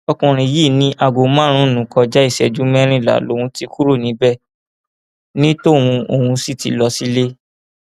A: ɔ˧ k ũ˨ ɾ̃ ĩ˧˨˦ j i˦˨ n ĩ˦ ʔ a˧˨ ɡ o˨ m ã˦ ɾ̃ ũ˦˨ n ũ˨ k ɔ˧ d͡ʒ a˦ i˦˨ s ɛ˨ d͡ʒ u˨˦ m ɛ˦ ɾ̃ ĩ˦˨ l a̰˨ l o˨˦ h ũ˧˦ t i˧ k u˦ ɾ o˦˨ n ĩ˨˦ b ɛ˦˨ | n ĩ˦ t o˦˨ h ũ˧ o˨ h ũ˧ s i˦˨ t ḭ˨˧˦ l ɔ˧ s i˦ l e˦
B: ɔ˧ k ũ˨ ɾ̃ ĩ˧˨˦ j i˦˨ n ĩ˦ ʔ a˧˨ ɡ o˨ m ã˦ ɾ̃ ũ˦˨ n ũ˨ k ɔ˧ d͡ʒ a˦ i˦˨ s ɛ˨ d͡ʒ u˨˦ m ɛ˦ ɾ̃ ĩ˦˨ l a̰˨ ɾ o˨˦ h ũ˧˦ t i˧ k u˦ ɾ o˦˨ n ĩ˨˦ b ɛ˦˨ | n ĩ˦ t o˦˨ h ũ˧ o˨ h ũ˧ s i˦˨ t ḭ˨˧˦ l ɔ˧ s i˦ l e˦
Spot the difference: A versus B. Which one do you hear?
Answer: A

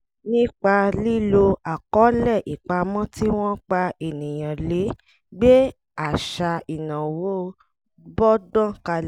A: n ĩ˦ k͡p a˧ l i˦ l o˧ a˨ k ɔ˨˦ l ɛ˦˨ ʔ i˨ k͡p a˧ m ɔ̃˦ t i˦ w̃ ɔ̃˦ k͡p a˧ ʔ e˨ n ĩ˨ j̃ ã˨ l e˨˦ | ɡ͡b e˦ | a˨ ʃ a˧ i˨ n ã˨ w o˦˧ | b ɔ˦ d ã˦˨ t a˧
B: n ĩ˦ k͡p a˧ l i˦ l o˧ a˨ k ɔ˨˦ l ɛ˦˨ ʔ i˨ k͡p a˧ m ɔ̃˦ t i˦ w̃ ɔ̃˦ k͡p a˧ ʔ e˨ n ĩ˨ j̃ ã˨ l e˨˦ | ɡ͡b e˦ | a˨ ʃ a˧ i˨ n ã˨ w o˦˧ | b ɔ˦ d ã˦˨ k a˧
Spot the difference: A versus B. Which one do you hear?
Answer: B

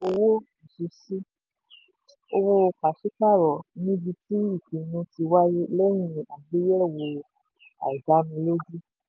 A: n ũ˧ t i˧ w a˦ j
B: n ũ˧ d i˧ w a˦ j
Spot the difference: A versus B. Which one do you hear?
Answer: A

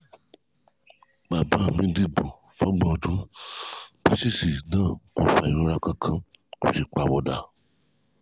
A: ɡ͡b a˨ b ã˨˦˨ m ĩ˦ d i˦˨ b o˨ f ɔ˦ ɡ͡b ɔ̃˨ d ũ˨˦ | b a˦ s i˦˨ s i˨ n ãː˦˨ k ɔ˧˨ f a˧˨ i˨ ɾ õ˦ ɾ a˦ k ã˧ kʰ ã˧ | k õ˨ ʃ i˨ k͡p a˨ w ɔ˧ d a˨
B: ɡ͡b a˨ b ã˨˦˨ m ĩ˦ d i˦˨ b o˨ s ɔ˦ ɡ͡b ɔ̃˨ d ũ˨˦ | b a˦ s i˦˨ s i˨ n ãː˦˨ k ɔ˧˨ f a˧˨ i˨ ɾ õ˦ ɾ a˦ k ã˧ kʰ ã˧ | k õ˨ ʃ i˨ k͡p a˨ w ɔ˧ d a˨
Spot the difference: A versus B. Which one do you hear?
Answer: A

